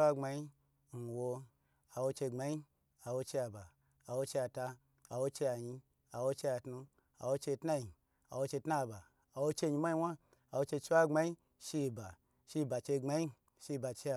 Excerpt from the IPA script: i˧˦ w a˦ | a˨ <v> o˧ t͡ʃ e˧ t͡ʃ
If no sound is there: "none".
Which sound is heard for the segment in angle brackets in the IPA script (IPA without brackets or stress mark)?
w